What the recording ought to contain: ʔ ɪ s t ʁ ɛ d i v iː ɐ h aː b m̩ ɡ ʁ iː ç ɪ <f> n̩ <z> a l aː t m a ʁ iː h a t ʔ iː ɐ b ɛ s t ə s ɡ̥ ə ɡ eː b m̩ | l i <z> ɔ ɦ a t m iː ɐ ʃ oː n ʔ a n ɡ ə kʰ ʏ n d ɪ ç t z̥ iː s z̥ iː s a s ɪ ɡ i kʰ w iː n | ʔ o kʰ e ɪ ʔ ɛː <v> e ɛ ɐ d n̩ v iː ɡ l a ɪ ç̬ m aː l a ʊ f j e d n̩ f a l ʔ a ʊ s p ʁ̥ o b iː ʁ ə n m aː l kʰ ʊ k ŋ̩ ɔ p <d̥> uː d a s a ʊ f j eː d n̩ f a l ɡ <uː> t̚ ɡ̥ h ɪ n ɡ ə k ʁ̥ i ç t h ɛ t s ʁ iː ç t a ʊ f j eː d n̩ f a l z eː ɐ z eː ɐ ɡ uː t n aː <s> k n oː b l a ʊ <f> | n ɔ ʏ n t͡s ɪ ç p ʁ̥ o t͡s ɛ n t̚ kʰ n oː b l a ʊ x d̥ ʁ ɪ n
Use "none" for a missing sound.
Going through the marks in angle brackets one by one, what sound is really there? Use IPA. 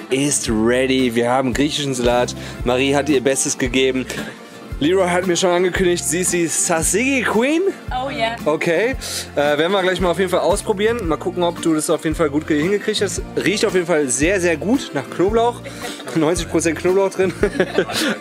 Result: ʃ, z, ʁ, v, d̥, uː, χ, x

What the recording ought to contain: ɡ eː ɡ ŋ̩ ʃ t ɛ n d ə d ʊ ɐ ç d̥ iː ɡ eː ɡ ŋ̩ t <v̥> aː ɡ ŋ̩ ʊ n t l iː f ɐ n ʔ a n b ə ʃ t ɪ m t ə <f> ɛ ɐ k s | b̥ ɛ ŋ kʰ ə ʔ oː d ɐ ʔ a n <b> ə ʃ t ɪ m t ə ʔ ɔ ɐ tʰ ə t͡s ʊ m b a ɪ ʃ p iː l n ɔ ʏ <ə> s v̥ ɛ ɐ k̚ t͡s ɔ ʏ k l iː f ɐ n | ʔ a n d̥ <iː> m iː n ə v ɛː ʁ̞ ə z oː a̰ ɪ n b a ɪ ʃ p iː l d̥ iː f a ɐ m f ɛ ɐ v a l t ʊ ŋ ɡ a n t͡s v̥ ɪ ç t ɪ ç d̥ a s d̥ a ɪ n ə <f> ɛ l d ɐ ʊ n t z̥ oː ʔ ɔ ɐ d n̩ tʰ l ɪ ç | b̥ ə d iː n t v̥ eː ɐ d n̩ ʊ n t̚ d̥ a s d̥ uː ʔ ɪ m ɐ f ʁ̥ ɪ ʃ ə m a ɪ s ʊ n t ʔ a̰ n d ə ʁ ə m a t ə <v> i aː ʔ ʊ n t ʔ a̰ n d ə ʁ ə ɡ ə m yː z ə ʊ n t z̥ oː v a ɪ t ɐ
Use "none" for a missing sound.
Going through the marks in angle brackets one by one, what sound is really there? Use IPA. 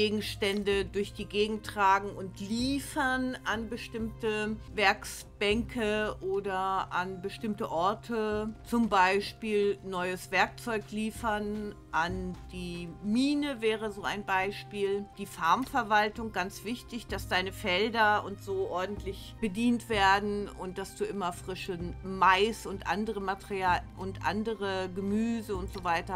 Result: ʁ̥, v, b, ə, iː, f, ʁ

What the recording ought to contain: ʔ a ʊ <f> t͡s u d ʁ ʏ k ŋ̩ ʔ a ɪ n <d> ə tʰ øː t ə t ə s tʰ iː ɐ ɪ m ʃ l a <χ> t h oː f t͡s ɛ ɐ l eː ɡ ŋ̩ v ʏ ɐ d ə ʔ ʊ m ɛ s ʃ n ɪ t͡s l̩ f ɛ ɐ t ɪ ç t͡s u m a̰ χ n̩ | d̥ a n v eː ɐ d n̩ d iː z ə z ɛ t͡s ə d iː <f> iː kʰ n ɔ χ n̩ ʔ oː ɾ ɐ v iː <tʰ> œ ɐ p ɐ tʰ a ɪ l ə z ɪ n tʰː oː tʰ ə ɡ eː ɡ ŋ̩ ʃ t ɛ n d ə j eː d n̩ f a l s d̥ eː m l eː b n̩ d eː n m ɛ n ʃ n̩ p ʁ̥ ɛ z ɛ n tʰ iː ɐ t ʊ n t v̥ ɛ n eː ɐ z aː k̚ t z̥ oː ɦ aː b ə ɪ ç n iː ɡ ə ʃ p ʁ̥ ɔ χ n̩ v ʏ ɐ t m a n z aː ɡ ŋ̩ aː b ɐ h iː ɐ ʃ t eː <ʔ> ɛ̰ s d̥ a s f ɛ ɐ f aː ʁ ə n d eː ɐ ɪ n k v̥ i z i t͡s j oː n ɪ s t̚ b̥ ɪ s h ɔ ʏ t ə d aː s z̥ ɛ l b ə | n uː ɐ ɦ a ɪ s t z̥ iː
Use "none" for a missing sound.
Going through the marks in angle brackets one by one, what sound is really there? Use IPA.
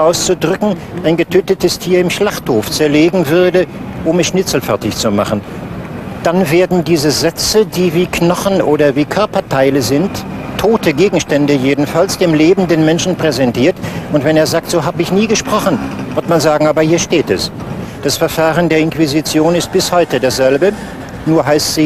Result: s, ɡ, χ, v, kʰ, t

